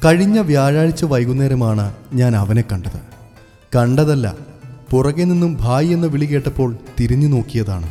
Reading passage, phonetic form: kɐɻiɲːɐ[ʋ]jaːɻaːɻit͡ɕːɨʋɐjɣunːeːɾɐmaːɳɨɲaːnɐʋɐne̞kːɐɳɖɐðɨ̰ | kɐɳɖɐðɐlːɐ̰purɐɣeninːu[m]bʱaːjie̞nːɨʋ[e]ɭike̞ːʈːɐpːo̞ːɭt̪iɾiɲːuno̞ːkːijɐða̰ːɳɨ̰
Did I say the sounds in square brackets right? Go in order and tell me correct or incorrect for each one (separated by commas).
correct, correct, incorrect